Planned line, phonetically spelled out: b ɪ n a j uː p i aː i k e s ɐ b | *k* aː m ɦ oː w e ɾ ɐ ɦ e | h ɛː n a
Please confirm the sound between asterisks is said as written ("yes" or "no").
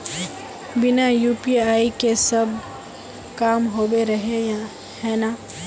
yes